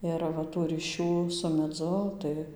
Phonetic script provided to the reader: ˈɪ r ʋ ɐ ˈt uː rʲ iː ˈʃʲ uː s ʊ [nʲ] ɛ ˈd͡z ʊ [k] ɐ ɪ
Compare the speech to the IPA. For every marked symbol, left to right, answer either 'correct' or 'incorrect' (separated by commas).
incorrect, incorrect